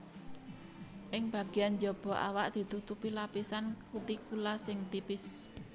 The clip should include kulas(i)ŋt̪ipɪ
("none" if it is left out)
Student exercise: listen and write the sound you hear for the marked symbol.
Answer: ɪ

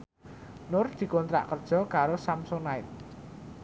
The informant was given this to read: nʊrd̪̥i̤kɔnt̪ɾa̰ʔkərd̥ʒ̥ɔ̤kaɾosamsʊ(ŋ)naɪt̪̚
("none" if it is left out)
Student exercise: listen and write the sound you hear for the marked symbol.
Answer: ŋ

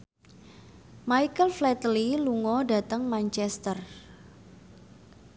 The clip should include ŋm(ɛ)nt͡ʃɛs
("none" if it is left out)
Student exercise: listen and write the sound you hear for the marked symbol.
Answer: a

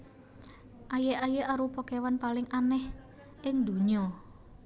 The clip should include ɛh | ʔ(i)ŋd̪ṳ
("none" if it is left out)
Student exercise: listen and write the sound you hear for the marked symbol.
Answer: ɪ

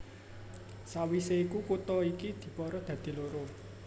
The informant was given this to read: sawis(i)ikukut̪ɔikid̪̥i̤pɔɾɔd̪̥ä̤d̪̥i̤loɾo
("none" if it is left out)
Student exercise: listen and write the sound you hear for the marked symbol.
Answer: e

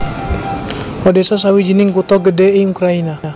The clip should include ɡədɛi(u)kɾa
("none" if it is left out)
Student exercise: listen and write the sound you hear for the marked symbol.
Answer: u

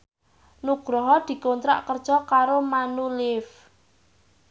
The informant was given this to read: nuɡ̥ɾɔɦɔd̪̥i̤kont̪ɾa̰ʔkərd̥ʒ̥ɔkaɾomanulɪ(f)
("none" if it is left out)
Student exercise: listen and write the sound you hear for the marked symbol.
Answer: f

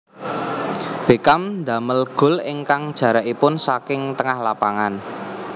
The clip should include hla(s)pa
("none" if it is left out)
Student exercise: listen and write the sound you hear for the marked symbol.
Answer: none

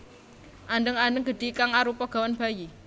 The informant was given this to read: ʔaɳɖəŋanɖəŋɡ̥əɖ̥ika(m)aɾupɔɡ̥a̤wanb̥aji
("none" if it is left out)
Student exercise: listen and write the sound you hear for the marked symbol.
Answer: ŋ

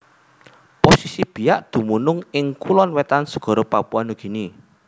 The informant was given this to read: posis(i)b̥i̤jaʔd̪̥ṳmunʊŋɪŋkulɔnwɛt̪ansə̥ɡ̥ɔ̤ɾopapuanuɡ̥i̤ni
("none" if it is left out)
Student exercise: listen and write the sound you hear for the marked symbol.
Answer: i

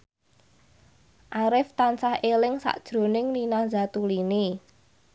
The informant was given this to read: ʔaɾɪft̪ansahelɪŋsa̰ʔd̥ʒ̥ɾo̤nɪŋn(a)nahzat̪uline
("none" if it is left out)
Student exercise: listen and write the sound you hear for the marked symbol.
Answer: i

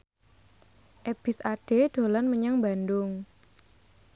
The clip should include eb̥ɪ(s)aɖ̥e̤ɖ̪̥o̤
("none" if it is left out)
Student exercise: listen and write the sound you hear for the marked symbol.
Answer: s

